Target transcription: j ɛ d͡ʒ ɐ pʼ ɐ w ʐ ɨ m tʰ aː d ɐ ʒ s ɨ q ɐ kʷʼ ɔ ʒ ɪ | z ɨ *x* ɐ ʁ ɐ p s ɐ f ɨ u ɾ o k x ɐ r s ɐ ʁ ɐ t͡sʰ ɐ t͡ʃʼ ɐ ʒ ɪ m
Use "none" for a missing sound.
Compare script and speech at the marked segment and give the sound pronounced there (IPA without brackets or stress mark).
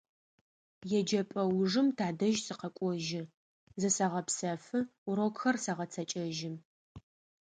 s